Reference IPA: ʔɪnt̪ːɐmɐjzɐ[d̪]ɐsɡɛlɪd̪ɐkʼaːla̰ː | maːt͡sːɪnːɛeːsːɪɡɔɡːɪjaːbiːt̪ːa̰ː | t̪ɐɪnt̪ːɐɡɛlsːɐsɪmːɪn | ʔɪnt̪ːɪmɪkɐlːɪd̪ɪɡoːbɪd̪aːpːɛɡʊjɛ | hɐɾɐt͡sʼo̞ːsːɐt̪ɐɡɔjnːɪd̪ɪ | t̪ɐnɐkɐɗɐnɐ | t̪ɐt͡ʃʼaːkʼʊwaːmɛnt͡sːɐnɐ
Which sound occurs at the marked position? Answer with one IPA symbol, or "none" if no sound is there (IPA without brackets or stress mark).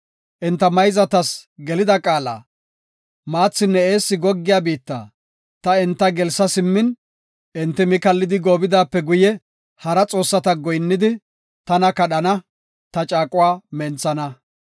t̪